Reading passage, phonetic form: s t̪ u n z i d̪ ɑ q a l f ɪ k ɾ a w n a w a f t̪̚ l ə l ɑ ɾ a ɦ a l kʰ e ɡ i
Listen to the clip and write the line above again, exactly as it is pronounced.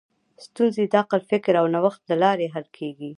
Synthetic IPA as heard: s t̪ u n z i d̪ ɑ q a l f ɪ k ɾ a w n a w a x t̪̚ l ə l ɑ ɾ e ɦ a l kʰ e ɡ i

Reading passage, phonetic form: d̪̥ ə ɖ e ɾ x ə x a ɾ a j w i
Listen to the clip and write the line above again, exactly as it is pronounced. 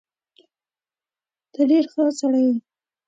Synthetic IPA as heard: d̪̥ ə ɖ e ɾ x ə s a ɽ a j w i

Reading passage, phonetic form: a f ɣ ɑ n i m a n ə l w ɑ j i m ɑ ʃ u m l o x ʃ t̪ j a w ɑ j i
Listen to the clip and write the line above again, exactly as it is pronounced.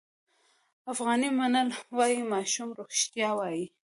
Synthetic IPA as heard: a f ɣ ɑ n i m a n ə l w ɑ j i m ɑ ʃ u m ɾ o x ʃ t̪ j ɑ w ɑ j i

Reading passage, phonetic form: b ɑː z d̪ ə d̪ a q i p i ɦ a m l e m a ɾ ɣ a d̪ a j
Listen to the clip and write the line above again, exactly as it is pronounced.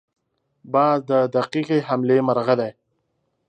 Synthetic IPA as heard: b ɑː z d̪ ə d̪ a q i q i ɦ a m l e m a ɾ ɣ a d̪ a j

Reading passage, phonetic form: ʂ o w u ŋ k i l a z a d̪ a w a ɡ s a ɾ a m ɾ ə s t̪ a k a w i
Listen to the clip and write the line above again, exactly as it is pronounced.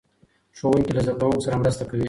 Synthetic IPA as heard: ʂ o w u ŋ k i l a z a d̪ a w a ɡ s a ɾ a m ɾ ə s t̪ a k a w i

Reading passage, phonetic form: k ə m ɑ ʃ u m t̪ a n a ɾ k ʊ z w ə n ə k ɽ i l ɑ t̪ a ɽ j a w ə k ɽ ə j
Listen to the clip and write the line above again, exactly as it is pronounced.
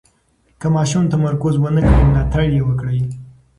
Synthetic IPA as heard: k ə m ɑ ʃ u m t̪ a m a ɾ k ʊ z w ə n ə k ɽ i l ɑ t̪ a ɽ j e w ə k ɽ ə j

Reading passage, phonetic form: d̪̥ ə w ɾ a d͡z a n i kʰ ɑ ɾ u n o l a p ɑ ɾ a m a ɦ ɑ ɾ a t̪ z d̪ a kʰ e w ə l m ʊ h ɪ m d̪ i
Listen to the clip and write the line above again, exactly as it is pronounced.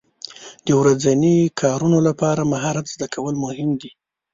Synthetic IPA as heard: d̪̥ ə w ɾ a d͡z a n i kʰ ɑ ɾ u n o l a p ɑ ɾ a m a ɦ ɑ ɾ a t̪ z d̪ a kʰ a w ə l m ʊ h ɪ m d̪ i

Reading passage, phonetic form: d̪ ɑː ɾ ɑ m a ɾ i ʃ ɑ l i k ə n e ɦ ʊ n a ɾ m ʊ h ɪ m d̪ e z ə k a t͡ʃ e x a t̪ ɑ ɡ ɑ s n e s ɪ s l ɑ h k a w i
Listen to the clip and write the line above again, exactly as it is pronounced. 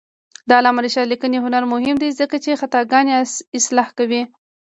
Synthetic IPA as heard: d̪ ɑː l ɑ m a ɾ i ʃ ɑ l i k ə n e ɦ ʊ n a ɾ m ʊ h ɪ m d̪ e z ə k a t͡ʃ e x a t̪ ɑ ɡ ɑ n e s ɪ s l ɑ h k a w i

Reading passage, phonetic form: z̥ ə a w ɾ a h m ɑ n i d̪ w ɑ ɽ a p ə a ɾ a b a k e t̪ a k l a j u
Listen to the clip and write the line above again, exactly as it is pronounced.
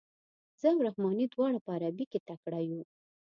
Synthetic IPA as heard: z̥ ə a w ɾ a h m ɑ n i d̪ w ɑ ɽ a p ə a ɾ a b i k e t̪ a k ɽ a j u

